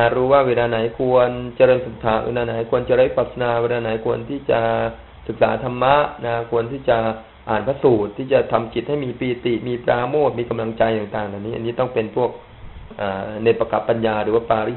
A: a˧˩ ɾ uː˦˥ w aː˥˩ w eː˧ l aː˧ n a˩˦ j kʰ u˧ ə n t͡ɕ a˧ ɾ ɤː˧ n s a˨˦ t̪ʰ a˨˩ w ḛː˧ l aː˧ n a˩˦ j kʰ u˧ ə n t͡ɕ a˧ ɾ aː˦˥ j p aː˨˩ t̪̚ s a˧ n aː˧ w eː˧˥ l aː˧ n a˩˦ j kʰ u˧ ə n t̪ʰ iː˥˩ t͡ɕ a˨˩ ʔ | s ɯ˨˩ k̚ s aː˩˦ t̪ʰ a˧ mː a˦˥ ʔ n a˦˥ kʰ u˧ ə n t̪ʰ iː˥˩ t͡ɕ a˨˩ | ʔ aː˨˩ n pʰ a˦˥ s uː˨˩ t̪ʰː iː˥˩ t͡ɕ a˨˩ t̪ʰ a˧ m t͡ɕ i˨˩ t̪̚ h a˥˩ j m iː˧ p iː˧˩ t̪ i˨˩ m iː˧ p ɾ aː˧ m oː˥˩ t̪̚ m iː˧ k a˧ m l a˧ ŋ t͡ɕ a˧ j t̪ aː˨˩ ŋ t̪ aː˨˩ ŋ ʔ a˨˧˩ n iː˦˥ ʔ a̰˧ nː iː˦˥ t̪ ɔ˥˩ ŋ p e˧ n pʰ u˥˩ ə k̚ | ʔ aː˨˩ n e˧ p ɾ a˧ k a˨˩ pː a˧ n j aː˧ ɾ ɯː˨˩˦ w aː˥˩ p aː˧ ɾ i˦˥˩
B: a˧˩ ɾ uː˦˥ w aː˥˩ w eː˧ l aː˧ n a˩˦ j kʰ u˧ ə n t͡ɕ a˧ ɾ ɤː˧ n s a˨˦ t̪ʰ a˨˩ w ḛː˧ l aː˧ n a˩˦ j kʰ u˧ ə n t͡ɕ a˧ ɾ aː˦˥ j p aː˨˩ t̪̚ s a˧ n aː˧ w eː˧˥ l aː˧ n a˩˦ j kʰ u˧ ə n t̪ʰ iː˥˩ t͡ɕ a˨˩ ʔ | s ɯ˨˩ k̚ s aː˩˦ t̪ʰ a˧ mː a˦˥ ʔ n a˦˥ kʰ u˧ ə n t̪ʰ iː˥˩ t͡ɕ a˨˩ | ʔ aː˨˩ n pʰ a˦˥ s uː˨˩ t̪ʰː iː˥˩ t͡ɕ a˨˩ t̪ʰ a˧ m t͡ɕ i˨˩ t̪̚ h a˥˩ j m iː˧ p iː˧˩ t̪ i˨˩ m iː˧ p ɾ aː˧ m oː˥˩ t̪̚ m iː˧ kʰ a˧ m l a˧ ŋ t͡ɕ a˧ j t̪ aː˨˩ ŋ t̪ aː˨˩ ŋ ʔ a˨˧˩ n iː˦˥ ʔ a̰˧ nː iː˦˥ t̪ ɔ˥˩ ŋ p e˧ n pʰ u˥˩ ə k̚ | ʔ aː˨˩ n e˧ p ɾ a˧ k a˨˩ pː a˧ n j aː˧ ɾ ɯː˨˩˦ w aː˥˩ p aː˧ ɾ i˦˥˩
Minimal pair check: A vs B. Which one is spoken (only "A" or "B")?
A